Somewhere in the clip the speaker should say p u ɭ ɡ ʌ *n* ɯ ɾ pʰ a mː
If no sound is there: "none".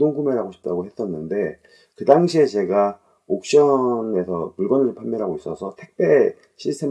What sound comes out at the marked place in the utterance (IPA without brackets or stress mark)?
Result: n